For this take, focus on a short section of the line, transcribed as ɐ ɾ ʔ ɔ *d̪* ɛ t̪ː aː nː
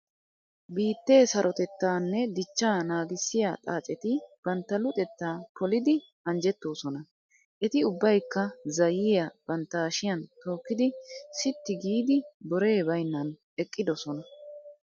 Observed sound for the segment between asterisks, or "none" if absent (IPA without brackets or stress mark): t̪